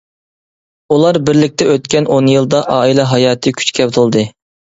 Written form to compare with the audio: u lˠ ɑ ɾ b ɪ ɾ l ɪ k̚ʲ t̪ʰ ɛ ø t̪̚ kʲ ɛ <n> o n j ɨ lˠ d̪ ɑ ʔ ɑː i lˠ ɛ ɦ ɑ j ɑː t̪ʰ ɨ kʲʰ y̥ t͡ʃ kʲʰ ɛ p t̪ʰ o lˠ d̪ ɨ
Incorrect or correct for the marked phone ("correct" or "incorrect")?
correct